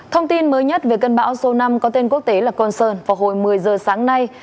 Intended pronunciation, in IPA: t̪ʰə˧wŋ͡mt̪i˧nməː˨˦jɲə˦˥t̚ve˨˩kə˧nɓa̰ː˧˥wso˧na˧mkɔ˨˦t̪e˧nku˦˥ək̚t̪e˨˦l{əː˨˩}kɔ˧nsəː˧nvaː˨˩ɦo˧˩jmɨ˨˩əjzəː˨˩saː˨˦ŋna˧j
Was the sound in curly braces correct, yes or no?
no